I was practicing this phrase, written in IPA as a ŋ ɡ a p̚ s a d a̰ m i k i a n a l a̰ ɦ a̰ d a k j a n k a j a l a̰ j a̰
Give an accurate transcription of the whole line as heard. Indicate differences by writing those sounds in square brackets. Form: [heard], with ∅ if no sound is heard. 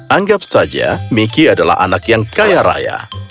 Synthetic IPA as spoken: a ŋ ɡ a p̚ s a [d͡ʒ] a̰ m i k i a [d] a l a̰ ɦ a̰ [n] a k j a [ŋ] k a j a [ɾ] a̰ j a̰